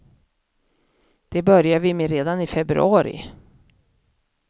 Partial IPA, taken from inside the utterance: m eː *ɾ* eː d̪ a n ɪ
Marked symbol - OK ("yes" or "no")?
yes